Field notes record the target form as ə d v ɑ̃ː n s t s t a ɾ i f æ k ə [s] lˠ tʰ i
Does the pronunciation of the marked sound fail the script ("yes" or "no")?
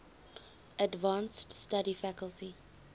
yes